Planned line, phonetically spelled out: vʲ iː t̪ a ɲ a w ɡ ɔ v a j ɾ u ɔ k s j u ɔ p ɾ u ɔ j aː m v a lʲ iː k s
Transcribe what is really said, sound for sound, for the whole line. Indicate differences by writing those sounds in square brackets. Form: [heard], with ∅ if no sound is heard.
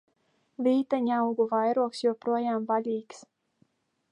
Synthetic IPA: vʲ iː t̪ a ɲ a w ɡ [u] v a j ɾ u ɔ k s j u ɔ p ɾ u ɔ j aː m v a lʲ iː k s